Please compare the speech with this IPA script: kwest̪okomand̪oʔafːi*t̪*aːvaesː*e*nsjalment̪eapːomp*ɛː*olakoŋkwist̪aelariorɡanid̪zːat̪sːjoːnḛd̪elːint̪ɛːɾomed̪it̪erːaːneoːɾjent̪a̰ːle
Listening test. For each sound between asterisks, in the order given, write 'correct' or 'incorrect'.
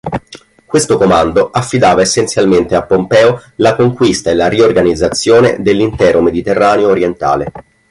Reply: incorrect: d̪, correct, correct

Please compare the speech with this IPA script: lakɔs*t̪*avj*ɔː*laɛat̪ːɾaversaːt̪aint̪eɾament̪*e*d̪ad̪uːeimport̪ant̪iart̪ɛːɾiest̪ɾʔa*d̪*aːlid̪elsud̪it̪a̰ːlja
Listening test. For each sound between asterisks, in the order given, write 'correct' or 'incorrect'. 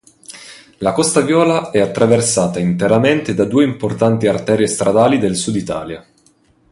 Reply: correct, correct, correct, correct

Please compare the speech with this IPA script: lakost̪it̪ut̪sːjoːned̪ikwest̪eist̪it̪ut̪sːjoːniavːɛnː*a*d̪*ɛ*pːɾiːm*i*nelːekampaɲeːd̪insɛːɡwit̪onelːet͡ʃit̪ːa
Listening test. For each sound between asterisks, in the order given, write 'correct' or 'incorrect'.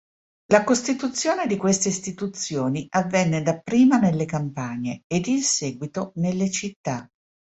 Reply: incorrect: e, incorrect: a, incorrect: a

